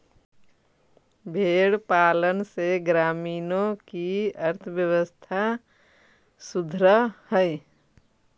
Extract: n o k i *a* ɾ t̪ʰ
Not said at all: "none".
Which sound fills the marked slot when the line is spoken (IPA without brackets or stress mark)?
ə